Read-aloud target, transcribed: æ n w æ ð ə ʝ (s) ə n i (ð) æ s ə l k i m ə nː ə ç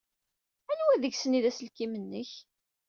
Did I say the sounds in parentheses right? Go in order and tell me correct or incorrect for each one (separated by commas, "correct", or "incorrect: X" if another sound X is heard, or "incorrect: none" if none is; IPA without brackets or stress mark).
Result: correct, correct